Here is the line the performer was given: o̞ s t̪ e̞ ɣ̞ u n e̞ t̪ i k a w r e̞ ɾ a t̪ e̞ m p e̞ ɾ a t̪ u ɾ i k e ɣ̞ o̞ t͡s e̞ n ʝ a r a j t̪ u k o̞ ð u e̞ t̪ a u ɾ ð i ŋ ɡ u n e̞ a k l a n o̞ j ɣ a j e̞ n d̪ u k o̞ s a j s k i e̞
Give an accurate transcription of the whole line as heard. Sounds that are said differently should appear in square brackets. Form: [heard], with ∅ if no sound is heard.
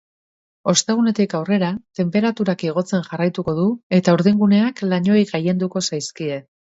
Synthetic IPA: o̞ s t̪ e̞ ɣ̞ u n e̞ t̪ i k a w r e̞ ɾ a t̪ e̞ m p e̞ ɾ a t̪ u ɾ [a] k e ɣ̞ o̞ t͡s e̞ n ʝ a r a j t̪ u k o̞ ð u e̞ t̪ a u ɾ ð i ŋ ɡ u n e̞ a k l a [ɲ] o̞ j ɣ a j e̞ n d̪ u k o̞ s a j s k i e̞